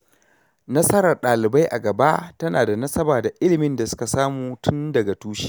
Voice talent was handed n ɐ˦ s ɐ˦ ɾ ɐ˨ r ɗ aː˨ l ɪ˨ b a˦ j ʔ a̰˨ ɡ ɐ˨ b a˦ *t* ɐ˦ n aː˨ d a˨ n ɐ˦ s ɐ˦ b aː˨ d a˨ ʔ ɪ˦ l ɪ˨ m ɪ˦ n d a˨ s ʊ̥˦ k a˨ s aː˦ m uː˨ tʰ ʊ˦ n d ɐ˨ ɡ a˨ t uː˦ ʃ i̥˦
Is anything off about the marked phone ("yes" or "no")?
no